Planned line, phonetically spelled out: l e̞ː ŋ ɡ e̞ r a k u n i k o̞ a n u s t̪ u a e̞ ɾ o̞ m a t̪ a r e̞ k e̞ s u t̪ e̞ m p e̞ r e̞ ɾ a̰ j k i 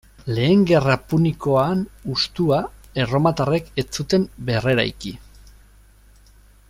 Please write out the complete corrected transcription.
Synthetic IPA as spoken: l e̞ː ŋ ɡ e̞ r a p u n i k o̞ a n u s t̪ u a e̞ r o̞ m a t̪ a r e̞ k e̞ t͡s u t̪ e̞ m b e̞ r e̞ ɾ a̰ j k i

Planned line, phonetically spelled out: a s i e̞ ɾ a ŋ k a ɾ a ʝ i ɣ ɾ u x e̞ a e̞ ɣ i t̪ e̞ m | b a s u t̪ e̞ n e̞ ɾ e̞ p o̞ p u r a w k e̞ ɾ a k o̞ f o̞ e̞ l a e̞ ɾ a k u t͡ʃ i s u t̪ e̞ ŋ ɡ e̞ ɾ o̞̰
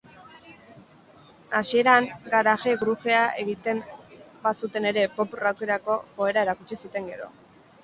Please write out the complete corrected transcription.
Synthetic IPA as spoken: a s i e̞ ɾ a ŋ ɡ a ɾ a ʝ e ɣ ɾ u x e̞ a e̞ ɣ i t̪ e̞ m | b a s u t̪ e̞ n e̞ ɾ e̞ p o̞ p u r a w k e̞ ɾ a k o̞ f o̞ e̞ ɾ a e̞ ɾ a k u t͡ʃ i s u t̪ e̞ ŋ ɡ e̞ ɾ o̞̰

